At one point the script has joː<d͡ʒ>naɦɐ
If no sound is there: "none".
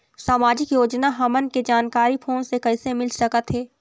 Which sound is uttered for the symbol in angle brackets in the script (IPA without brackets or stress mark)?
d͡ʒ